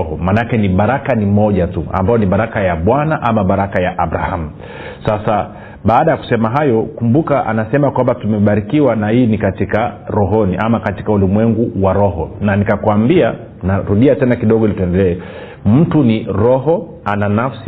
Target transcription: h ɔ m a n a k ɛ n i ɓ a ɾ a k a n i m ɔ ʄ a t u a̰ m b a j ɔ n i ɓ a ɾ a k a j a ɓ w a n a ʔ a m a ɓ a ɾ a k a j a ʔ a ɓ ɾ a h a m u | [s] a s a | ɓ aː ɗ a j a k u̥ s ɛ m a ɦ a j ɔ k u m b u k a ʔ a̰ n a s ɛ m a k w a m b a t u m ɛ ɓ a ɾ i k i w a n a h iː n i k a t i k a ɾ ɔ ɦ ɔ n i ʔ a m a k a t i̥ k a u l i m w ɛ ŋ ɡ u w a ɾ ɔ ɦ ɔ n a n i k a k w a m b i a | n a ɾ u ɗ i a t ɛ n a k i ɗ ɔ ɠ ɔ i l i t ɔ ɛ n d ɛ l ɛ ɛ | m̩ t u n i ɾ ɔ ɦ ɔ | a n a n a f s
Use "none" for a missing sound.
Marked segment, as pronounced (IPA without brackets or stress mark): s